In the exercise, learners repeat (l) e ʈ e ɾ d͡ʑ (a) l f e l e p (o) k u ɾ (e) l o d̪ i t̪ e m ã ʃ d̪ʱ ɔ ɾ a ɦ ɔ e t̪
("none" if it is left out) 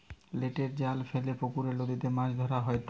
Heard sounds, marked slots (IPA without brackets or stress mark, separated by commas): l, a, o, e